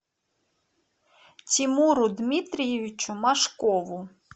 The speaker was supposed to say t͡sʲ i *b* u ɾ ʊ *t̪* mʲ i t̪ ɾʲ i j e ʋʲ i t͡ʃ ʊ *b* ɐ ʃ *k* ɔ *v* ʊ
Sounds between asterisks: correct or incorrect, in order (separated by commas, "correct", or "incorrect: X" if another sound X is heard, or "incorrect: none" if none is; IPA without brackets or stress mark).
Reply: incorrect: m, incorrect: d̪, incorrect: m, correct, incorrect: ʋ